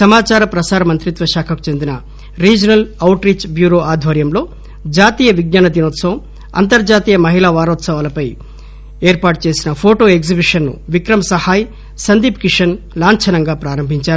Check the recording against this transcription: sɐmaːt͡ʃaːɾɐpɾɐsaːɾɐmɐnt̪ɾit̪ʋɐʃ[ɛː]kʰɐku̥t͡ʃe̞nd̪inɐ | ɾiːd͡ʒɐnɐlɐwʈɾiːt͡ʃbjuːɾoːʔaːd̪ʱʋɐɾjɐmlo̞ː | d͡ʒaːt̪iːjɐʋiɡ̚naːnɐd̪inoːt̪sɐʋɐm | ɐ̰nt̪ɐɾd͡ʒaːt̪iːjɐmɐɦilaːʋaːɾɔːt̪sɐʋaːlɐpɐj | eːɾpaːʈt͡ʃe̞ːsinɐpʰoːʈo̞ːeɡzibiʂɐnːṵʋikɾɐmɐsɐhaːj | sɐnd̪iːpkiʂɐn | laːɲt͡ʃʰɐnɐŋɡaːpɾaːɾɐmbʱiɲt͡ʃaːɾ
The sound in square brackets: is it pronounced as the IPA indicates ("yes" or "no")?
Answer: no